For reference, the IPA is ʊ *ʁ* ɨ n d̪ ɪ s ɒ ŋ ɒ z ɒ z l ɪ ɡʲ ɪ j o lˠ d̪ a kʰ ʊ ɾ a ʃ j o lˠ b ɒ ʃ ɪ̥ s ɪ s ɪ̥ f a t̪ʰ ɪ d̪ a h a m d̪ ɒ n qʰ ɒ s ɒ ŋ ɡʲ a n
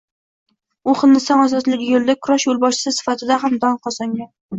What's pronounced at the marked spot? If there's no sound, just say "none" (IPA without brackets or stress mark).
χ